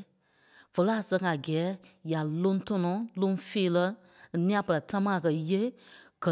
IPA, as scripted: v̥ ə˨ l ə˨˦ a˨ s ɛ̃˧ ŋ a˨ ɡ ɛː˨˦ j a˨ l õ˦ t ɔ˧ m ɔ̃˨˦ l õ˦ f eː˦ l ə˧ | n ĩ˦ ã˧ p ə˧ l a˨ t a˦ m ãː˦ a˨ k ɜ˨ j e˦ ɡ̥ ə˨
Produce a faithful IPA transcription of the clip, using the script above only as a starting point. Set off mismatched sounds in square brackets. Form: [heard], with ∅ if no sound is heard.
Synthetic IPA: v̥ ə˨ l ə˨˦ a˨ s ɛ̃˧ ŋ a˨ ɡ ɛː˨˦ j a˨ l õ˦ t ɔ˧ [n] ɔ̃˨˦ l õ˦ f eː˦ l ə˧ | n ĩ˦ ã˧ p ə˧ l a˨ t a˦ m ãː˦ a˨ k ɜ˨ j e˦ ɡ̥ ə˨